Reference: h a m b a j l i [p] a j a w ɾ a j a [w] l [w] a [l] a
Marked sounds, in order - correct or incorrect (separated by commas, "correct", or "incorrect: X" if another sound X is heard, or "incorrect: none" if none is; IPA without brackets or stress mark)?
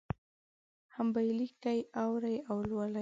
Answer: incorrect: k, correct, correct, correct